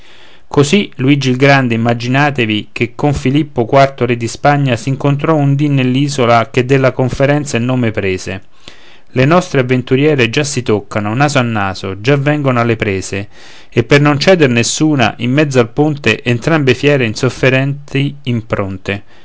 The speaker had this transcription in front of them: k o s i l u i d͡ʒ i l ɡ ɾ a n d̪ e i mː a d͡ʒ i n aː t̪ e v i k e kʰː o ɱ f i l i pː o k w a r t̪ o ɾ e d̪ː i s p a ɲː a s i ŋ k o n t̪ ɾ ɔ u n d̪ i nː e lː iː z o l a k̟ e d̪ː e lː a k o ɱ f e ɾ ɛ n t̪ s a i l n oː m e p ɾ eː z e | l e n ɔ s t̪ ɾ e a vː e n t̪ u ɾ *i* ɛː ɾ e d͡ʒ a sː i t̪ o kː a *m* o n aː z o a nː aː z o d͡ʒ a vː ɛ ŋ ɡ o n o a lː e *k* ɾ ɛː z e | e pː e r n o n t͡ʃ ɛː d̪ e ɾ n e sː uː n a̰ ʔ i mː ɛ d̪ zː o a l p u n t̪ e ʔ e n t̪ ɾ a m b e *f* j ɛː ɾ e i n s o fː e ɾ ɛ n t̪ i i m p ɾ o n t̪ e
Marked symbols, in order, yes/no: no, no, no, yes

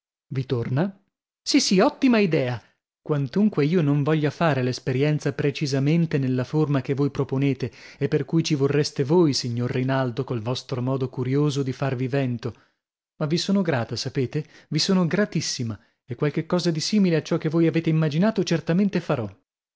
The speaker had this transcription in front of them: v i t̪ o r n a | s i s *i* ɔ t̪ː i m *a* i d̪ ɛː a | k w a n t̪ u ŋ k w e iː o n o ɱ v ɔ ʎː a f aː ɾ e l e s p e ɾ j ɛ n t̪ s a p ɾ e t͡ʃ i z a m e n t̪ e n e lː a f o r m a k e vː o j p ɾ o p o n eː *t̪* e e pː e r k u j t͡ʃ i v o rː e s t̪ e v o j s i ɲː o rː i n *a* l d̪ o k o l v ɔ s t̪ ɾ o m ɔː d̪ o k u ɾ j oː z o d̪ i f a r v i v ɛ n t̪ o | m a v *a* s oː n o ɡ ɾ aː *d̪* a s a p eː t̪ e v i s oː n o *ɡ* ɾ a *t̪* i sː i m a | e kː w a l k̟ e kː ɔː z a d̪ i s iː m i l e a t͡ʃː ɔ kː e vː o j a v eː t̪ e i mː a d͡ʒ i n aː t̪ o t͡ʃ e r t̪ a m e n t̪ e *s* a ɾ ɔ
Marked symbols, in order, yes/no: yes, yes, yes, yes, no, no, yes, yes, no

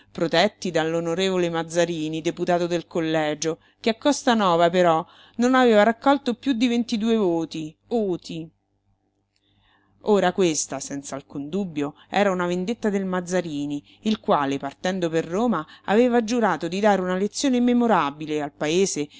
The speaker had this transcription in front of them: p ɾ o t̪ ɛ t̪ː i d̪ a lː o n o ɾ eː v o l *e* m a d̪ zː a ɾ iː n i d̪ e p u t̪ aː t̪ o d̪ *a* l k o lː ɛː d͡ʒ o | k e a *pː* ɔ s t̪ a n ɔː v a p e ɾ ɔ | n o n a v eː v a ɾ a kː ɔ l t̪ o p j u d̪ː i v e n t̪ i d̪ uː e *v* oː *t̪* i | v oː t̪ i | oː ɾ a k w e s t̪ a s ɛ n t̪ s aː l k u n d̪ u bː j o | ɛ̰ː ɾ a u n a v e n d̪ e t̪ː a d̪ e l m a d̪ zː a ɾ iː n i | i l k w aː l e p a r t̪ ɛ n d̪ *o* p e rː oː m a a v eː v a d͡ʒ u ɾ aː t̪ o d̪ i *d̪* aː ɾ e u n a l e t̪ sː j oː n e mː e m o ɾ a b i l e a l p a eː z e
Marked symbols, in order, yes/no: yes, no, no, yes, yes, yes, yes

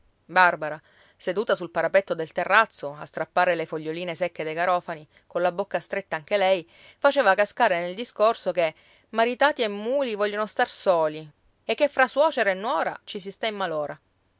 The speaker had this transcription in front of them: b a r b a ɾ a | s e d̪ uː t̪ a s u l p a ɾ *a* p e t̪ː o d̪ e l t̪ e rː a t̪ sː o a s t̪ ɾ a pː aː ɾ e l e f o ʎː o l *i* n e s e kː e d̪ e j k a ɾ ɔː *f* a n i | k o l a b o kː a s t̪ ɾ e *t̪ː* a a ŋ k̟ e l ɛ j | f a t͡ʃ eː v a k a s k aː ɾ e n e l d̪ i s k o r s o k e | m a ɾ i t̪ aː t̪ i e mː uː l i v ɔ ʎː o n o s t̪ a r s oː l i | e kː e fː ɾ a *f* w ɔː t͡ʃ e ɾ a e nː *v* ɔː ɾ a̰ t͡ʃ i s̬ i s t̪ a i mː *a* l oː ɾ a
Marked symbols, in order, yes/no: yes, no, yes, yes, no, no, yes

